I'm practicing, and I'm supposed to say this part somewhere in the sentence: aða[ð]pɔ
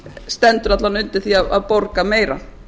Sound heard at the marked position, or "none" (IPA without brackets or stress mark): ð